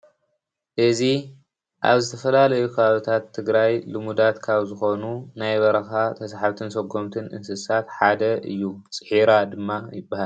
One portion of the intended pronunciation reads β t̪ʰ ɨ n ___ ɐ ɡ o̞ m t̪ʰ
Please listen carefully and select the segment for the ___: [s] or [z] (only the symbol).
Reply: s